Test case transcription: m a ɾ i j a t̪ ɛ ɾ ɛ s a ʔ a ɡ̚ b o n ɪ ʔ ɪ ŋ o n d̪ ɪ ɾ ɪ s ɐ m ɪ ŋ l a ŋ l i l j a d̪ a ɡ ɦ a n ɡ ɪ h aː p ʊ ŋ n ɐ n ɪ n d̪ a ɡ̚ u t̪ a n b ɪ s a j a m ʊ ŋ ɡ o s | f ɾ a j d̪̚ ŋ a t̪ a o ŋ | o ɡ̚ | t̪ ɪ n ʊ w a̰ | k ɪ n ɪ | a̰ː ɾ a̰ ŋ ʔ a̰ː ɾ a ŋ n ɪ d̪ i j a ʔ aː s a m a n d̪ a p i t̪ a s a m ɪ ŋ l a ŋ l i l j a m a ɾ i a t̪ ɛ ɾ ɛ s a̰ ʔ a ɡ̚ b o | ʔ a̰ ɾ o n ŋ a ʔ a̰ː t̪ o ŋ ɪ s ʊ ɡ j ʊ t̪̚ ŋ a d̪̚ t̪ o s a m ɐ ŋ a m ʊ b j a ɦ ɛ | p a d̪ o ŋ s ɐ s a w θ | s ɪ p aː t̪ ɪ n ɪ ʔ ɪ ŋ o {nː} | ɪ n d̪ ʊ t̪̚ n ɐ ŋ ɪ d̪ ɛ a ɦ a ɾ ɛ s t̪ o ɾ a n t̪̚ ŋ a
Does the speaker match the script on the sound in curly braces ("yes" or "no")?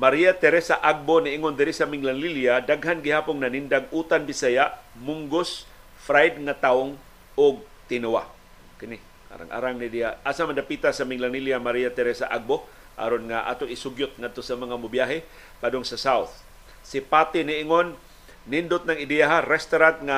yes